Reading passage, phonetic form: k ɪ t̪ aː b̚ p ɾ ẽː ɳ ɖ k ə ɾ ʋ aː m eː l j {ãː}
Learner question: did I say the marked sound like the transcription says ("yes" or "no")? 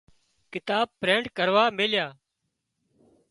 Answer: no